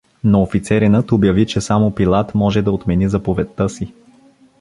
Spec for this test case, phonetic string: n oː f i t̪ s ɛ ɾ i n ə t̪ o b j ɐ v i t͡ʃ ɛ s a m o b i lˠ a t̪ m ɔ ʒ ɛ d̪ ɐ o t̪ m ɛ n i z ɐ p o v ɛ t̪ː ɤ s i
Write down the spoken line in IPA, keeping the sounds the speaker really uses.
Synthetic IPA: n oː f i t̪ s ɛ ɾ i n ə t̪ o b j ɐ v i t͡ʃ ɛ s a m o p i lˠ a t̪ m ɔ ʒ ɛ d̪ ɐ o t̪ m ɛ n i z ɐ p o v ɛ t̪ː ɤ s i